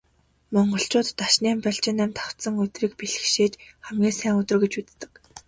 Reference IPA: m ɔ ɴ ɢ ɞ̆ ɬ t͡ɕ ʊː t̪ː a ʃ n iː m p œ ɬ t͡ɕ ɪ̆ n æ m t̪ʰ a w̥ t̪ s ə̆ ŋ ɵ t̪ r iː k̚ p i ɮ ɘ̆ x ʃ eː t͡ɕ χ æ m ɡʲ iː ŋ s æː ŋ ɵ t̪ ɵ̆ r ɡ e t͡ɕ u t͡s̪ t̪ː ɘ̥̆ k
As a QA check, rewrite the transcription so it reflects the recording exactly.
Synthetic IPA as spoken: m ɔ ɴ ɢ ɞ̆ ɬ t͡ɕ ʊː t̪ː a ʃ n iː m p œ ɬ t͡ɕ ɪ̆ n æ m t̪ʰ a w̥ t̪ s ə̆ ŋ ɵ t̪ r iː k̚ p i ɮ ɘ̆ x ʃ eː t͡ɕ χ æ m ɡʲ iː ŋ s æː ŋ ɵ t̪ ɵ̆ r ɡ e t͡ɕ u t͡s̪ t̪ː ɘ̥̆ k